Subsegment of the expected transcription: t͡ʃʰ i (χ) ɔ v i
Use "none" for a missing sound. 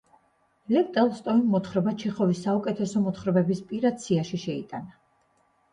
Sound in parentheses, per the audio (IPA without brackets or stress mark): χ